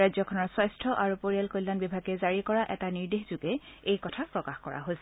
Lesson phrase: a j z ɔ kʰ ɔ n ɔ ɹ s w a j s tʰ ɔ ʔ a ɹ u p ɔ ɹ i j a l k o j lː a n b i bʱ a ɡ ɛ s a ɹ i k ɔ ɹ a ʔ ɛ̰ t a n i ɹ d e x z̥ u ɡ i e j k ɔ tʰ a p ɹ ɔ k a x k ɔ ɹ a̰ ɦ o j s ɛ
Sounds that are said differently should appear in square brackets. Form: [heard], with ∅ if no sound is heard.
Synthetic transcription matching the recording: a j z ɔ kʰ ɔ n ɔ ɹ s w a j s tʰ ɔ ʔ a ɹ u p [o] ɹ i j a l k o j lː a n b i bʱ a ɡ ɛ [z] a ɹ i k ɔ ɹ a ʔ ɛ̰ t a n i ɹ d e x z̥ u ɡ [ɛ] e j k ɔ tʰ a p ɹ ɔ k a x k ɔ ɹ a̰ ɦ o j s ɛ